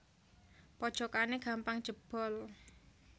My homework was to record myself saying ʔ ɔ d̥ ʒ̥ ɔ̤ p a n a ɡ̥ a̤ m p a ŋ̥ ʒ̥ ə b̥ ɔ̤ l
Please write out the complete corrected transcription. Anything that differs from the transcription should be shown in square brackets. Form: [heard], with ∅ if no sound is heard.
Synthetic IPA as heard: [p] ɔ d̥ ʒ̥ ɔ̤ [k] a n [e] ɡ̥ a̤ m p a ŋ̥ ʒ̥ ə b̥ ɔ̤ l